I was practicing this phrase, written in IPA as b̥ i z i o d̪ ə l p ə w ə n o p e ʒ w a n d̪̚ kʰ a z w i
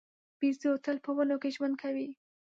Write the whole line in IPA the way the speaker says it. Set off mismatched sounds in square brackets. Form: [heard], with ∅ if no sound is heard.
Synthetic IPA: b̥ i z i o [t̪] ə l p ə w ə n o [k] e ʒ w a n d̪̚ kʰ a [∅] w i